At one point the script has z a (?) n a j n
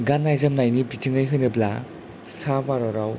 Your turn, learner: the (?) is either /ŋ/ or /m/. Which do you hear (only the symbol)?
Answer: m